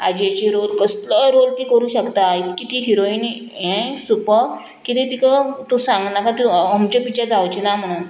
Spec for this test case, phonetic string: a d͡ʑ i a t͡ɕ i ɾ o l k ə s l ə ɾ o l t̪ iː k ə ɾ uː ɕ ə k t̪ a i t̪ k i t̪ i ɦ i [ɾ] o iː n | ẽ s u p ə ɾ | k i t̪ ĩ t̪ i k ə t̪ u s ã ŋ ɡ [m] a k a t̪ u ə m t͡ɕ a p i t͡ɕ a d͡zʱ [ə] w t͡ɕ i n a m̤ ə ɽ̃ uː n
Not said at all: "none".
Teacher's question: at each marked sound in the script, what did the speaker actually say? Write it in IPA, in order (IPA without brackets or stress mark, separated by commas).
ɾ, n, a